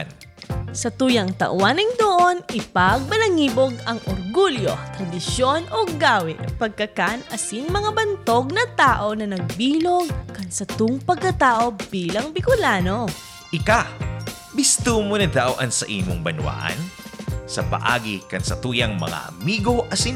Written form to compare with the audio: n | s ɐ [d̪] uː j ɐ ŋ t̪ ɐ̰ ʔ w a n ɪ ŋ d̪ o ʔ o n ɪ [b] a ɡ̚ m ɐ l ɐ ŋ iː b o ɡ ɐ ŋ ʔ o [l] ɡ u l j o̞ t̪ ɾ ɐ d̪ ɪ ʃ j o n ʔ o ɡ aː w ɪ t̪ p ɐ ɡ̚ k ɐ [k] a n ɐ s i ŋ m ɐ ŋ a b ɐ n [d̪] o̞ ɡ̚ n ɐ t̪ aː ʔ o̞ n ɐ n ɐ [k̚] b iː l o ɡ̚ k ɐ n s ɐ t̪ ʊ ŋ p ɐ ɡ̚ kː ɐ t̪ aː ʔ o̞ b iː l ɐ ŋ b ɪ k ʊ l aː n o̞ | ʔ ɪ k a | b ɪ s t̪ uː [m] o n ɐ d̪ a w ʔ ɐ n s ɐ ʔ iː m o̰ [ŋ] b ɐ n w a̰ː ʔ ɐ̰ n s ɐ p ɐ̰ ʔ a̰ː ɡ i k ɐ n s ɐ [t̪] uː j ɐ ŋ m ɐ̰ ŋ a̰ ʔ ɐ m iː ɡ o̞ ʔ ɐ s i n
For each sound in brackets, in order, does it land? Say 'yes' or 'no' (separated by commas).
no, no, no, yes, no, no, yes, yes, yes